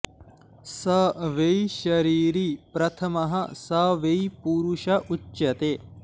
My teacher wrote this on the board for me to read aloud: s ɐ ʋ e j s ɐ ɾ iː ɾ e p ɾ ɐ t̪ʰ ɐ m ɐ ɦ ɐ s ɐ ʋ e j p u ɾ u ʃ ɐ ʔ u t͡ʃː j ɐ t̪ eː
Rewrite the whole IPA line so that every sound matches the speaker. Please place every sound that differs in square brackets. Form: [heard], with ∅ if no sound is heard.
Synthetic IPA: s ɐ ʋ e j [ʃ] ɐ ɾ iː ɾ [i] p ɾ ɐ t̪ʰ ɐ m ɐ ɦ ɐ s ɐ ʋ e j p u ɾ u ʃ ɐ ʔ u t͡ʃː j ɐ t̪ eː

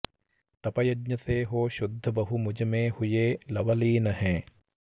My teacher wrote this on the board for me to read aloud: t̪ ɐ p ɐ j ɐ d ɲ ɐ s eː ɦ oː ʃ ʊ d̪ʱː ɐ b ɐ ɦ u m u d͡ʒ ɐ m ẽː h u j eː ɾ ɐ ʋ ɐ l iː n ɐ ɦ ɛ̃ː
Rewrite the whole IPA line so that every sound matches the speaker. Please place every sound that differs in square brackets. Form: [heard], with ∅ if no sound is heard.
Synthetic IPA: t̪ ɐ p ɐ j ɐ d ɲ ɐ s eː ɦ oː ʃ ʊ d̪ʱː ɐ b ɐ ɦ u m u d͡ʒ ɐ m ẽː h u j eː [l] ɐ ʋ ɐ l iː n ɐ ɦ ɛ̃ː

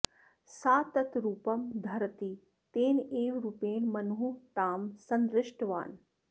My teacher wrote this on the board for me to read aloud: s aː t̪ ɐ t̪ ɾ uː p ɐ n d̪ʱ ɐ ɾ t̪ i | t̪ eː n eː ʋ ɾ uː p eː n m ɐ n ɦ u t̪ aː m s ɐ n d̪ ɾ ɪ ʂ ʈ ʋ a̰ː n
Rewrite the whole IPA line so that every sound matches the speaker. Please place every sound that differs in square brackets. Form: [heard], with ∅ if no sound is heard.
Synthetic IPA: s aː t̪ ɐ t̪ ɾ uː p ɐ [m] d̪ʱ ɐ ɾ t̪ i | t̪ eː n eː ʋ ɾ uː p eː n m ɐ n ɦ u t̪ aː m s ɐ n d̪ ɾ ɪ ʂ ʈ ʋ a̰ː n

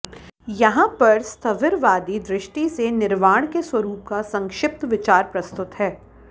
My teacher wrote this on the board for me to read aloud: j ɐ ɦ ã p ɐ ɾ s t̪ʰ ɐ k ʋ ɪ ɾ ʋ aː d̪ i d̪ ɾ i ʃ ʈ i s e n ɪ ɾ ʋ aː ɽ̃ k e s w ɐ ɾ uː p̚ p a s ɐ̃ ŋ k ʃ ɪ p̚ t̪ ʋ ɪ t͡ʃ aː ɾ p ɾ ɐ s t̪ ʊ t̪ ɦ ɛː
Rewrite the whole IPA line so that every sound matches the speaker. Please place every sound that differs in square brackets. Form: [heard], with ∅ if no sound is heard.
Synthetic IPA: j ɐ ɦ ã p ɐ ɾ s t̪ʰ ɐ [∅] ʋ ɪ ɾ ʋ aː d̪ i d̪ ɾ [ɪ] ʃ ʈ i s e n ɪ ɾ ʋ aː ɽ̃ k e s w ɐ ɾ uː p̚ [k] a s ɐ̃ ŋ k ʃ ɪ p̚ t̪ ʋ ɪ t͡ʃ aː ɾ p ɾ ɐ s t̪ ʊ t̪ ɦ ɛː

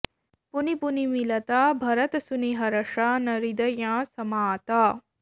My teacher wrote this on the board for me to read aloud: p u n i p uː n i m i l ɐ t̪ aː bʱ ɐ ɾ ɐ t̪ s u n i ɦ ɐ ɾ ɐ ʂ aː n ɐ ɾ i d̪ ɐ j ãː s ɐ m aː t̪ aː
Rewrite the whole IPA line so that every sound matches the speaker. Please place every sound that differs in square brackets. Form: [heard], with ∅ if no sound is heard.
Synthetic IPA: p u n i p [u] n i m i l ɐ t̪ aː bʱ ɐ ɾ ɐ t̪ s u n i ɦ ɐ ɾ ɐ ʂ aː n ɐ ɾ i d̪ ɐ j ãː s ɐ m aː t̪ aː

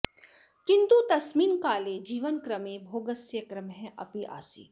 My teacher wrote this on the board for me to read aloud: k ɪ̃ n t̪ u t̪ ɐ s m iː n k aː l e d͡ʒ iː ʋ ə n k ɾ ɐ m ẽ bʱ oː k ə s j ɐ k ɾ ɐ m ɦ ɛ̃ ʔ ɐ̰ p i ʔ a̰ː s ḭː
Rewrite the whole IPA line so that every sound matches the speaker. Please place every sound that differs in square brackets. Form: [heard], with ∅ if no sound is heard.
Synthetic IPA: k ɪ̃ n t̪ u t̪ ɐ s m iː n k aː l e d͡ʒ iː ʋ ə n k ɾ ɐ m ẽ bʱ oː [ɡ] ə s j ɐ k ɾ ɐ m ɦ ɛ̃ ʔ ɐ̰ p i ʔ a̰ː s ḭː

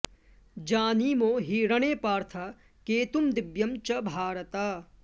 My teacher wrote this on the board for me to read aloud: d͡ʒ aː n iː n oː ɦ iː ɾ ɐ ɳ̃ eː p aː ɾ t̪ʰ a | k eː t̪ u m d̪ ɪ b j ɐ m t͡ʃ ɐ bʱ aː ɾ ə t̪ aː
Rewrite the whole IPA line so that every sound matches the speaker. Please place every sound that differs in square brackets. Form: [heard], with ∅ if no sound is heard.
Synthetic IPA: d͡ʒ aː n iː [m] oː ɦ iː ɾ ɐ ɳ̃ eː p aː ɾ t̪ʰ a | k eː t̪ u m d̪ ɪ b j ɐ m t͡ʃ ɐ bʱ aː ɾ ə t̪ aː

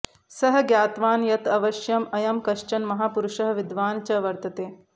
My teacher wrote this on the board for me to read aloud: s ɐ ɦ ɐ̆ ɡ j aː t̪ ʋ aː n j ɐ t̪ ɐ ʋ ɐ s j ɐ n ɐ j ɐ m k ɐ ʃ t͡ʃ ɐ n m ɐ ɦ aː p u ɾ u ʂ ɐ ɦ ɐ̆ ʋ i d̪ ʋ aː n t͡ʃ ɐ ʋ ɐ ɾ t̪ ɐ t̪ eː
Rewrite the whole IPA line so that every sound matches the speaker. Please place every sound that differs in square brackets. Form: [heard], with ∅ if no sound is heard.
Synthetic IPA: s ɐ ɦ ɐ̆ ɡ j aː t̪ ʋ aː n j ɐ t̪ ɐ ʋ ɐ [ʃ] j ɐ [m] ɐ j ɐ m k ɐ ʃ t͡ʃ ɐ n m ɐ ɦ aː p u ɾ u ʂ ɐ ɦ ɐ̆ ʋ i d̪ ʋ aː n t͡ʃ ɐ ʋ ɐ ɾ t̪ ɐ t̪ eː

